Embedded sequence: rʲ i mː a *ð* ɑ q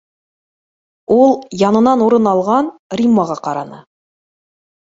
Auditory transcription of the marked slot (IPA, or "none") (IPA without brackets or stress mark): ʁ